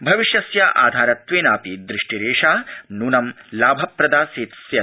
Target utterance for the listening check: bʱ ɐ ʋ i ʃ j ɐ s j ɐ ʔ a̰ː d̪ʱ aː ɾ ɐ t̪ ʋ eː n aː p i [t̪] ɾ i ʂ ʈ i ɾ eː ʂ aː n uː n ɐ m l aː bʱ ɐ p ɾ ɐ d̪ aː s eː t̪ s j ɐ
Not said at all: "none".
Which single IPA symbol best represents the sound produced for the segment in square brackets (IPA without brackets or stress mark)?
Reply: d̪